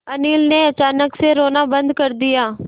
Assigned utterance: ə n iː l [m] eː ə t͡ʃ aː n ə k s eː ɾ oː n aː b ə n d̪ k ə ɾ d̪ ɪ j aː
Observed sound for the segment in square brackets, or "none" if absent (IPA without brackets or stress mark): n